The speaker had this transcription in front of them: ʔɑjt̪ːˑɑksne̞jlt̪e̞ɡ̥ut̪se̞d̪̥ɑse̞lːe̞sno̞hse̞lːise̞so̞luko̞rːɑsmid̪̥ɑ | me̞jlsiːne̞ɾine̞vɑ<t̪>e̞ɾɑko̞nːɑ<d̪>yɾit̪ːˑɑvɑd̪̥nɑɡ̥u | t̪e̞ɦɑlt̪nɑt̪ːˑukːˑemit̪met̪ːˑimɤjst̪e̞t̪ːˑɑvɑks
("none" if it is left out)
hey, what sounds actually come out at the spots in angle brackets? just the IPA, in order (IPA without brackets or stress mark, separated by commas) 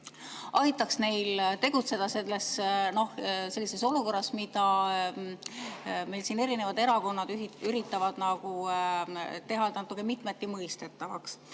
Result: d̪, d̪